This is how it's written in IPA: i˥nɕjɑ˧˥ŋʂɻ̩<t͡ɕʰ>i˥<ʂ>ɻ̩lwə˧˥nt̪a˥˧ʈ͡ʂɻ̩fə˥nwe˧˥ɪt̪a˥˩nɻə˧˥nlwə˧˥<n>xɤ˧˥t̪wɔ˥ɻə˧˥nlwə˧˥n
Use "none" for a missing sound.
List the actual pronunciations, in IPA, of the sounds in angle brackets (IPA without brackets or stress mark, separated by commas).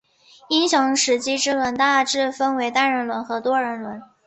t͡ɕ, ʈ͡ʂ, n